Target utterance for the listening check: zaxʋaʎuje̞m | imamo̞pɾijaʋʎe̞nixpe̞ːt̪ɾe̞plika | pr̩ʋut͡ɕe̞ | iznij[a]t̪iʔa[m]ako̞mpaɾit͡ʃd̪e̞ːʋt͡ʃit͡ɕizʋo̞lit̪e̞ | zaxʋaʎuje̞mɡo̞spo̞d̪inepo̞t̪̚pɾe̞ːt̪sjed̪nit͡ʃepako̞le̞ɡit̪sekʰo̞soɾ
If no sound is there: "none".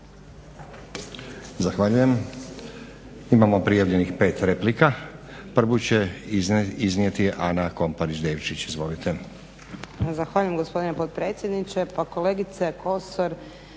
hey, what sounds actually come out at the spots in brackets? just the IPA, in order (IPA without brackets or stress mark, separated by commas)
e, n